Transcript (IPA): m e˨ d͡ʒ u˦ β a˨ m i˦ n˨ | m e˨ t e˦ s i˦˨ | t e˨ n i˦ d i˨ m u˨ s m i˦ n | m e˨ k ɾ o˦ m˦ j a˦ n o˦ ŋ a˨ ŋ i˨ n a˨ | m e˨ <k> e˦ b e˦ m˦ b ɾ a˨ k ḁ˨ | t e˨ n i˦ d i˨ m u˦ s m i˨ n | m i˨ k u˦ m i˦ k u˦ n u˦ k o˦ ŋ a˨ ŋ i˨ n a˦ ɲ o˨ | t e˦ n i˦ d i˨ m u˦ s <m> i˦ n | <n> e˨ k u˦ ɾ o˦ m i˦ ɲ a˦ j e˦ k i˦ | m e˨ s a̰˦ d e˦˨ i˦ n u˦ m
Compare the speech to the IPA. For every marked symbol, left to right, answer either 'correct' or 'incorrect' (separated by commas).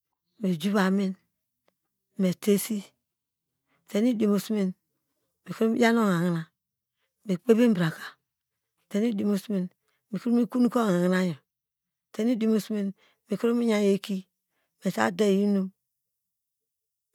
incorrect, correct, incorrect